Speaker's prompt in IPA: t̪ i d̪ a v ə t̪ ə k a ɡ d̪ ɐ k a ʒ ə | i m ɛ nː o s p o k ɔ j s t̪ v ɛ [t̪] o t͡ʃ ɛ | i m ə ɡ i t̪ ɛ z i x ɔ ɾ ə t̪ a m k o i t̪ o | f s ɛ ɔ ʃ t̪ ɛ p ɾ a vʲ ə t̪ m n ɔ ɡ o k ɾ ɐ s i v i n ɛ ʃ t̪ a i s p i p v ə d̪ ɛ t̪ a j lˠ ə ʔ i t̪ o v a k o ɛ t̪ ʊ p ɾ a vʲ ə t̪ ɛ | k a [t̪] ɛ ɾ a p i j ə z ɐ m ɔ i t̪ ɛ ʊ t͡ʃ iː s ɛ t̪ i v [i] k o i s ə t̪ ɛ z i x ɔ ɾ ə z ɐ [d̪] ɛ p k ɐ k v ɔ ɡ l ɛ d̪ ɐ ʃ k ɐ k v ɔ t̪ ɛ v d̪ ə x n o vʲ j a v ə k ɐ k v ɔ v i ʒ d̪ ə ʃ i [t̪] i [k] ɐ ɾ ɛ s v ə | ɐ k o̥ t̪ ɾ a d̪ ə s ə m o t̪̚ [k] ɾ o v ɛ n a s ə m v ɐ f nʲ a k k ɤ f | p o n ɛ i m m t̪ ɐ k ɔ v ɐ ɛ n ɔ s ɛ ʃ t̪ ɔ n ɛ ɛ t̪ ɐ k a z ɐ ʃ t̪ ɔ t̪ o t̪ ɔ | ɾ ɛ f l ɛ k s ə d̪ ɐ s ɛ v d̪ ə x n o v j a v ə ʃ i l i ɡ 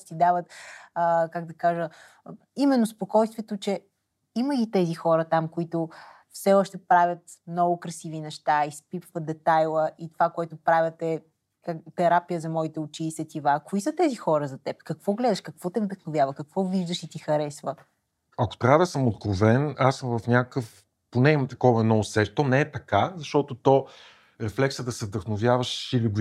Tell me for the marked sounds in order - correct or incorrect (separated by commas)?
correct, correct, incorrect, incorrect, correct, incorrect, correct